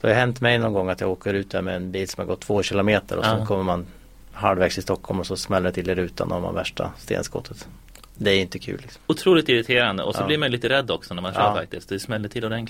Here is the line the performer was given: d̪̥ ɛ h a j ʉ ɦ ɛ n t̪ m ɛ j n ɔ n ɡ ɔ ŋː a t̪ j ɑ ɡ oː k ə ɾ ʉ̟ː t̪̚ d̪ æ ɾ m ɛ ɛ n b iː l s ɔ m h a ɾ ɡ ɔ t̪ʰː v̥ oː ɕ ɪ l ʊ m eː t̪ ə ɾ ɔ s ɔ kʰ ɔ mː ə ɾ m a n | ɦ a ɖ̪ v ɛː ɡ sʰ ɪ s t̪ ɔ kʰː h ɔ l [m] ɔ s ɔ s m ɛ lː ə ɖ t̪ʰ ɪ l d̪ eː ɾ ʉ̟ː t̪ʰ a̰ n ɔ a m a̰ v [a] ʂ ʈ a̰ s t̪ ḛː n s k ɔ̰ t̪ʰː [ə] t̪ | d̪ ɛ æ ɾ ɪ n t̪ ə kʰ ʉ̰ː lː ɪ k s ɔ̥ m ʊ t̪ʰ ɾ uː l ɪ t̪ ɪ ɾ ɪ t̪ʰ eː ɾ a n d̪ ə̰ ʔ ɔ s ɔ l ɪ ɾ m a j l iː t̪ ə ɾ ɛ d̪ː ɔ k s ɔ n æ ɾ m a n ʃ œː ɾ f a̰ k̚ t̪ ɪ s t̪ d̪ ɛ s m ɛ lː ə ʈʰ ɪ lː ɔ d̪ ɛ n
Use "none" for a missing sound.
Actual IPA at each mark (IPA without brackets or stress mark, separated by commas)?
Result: m, æ, ə